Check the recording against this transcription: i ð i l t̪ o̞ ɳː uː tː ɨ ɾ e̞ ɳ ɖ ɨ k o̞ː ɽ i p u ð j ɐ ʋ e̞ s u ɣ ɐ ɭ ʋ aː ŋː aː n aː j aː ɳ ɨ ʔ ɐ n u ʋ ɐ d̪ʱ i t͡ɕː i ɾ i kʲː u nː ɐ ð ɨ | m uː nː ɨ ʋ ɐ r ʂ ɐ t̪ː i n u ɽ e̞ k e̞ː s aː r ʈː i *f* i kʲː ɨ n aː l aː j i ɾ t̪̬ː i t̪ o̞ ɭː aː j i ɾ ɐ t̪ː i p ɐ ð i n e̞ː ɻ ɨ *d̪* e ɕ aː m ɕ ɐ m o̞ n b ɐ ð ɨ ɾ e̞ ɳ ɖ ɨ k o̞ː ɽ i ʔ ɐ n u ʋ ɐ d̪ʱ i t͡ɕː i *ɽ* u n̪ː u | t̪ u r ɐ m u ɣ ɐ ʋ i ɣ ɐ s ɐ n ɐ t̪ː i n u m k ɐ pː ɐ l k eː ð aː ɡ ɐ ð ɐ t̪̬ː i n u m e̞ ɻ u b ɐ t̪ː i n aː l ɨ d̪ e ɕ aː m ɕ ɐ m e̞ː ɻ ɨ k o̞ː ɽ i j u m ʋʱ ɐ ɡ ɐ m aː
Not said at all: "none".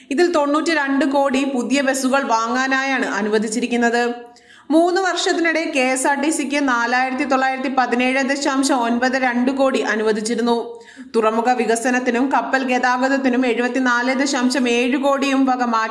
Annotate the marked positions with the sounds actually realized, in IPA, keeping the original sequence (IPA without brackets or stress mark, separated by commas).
s, d̪, ɾ